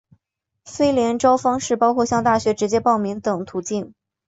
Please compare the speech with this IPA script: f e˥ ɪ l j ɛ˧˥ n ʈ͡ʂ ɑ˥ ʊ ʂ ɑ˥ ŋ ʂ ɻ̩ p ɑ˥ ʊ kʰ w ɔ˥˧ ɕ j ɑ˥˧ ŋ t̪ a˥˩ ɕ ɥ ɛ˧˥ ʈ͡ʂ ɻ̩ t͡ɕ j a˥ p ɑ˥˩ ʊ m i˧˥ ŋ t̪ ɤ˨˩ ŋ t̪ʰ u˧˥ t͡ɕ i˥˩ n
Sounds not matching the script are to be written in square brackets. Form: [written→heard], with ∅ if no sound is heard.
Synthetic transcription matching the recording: f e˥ ɪ l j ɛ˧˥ n ʈ͡ʂ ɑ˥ ʊ [ʂ→f] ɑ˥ ŋ ʂ ɻ̩ p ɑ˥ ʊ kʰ w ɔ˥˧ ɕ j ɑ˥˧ ŋ t̪ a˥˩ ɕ ɥ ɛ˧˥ ʈ͡ʂ ɻ̩ t͡ɕ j [a˥→ɛ˥] p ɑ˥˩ ʊ m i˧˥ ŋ t̪ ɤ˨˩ ŋ t̪ʰ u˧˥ t͡ɕ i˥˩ n